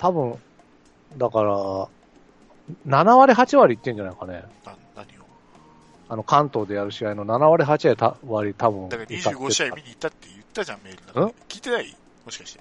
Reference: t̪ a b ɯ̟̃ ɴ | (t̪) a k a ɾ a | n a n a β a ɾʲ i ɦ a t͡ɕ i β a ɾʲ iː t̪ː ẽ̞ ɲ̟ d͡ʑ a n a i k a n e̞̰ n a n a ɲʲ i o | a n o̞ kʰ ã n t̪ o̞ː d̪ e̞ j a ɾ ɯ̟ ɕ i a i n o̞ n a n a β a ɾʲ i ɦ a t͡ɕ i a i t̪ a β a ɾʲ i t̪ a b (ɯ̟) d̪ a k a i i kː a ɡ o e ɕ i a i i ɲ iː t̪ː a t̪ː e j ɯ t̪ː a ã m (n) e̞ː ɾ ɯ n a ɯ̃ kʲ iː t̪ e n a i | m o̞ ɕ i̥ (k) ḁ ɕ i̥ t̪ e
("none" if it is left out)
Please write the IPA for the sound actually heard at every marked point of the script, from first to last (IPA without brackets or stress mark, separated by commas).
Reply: d̪, ɯ̟̃, m, k